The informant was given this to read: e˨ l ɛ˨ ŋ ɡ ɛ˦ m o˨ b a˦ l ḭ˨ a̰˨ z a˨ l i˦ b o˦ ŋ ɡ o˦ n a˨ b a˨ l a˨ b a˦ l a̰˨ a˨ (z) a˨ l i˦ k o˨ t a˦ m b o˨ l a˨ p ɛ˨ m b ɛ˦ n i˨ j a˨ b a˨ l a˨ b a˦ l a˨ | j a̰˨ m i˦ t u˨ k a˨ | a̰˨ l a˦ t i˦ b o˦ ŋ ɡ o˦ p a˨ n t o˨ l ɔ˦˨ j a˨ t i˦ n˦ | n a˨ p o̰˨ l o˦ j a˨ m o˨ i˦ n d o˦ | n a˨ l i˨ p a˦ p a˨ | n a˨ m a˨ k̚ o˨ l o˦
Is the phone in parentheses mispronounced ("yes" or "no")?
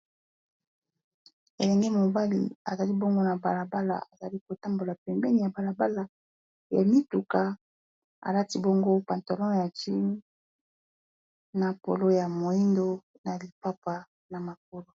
no